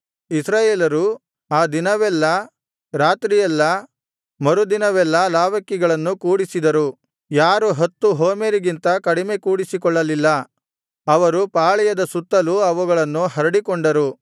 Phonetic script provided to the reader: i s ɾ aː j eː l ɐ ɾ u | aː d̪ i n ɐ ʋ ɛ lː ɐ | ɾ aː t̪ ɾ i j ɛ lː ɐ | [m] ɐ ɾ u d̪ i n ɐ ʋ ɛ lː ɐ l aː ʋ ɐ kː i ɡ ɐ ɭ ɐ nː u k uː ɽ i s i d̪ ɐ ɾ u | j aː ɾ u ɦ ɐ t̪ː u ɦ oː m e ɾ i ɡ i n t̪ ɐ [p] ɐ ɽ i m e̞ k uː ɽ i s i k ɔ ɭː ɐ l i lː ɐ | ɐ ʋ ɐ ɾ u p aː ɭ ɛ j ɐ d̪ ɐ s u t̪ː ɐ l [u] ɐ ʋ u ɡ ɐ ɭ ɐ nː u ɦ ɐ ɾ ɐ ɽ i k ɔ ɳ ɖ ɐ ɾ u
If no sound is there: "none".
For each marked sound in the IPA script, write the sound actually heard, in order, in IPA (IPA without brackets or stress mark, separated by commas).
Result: m, k, u